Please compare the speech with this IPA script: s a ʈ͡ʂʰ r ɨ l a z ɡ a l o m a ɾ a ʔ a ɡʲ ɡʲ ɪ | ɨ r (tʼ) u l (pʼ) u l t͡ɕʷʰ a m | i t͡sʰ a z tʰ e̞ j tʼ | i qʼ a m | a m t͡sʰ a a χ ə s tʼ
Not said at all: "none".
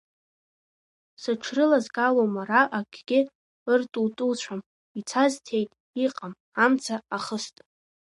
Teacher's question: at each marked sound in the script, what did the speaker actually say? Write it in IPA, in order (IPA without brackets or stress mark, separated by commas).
tʼ, tʼ